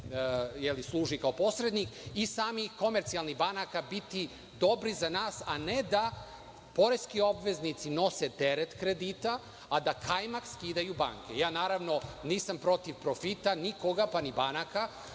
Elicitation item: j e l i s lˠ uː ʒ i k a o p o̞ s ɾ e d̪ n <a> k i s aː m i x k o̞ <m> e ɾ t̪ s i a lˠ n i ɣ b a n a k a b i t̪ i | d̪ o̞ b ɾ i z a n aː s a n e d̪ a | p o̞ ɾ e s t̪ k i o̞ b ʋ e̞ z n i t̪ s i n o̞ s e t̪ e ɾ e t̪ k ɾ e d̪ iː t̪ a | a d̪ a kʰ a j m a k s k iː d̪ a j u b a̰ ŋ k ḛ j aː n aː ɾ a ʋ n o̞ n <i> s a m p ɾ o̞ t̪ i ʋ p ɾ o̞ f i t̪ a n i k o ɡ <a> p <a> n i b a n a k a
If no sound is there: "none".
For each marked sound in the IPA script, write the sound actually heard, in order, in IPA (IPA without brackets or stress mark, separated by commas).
i, m, iː, a, a